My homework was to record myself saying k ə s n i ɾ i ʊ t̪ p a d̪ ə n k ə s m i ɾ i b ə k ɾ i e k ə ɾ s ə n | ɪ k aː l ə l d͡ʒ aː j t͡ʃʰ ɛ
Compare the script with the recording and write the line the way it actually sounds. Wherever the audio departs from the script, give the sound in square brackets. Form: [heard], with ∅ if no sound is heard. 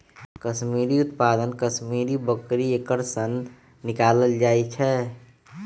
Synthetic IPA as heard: k ə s [m] i ɾ i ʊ t̪ p a d̪ ə n k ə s m i ɾ i b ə k ɾ i e k ə ɾ s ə [nː] | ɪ k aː l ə l d͡ʒ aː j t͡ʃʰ ɛ